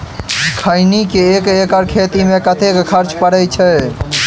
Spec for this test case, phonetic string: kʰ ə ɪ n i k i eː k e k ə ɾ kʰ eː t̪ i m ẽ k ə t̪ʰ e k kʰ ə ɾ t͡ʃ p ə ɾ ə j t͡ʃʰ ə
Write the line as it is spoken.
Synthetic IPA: kʰ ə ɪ n i k e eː k e k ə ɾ kʰ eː t̪ i m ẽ k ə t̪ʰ e k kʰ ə ɾ t͡ʃ p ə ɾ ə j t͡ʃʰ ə